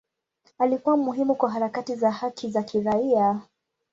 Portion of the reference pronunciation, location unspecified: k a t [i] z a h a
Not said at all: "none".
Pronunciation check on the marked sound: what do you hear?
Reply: i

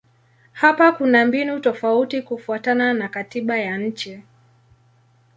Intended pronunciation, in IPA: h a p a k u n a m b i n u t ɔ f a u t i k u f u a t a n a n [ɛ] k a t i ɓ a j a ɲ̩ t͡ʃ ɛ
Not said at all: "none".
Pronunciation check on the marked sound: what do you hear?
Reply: a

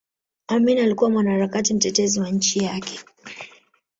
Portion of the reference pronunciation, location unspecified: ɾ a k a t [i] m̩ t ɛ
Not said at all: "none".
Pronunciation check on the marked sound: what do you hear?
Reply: i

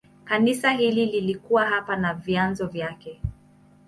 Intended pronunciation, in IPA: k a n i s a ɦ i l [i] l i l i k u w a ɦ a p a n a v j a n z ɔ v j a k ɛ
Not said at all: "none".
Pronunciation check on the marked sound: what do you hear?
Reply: i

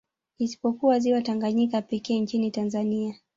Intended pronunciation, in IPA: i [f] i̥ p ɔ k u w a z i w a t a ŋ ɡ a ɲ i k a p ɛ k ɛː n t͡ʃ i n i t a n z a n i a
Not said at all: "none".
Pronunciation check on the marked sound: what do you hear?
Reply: s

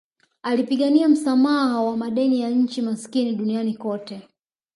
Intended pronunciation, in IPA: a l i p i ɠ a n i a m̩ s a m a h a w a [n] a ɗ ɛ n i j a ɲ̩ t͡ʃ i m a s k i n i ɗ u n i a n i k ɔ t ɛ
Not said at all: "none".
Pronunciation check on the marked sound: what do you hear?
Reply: m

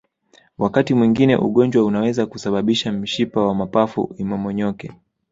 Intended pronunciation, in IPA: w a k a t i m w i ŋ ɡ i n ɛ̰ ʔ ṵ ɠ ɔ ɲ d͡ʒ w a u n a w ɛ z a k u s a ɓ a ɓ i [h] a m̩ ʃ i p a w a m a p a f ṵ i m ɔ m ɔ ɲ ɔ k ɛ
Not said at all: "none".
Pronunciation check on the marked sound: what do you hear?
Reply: ʃ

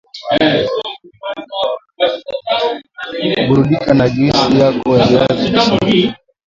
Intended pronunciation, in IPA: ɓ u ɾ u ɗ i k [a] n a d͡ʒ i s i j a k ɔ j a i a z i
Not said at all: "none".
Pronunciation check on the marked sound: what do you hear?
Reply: a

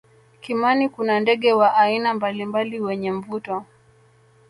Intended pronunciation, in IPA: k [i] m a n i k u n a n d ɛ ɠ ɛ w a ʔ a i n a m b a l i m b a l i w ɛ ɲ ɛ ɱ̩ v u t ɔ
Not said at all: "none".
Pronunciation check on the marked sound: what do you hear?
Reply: i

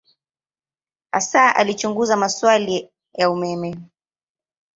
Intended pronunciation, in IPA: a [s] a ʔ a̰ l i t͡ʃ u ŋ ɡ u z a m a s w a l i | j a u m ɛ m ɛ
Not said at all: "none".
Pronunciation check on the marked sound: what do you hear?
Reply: s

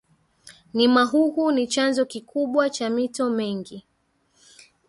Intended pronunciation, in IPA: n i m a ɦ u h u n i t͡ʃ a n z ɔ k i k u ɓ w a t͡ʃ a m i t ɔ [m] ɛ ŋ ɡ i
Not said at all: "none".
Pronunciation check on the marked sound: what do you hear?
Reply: m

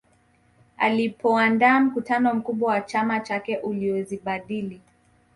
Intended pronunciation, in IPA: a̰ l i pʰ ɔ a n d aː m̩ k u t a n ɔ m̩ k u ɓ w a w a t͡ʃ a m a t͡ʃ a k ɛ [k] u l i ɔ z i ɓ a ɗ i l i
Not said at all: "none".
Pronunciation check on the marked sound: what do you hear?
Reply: ʔ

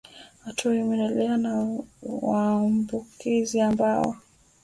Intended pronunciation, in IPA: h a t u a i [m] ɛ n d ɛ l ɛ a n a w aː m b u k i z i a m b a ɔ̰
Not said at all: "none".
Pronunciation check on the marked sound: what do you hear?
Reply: m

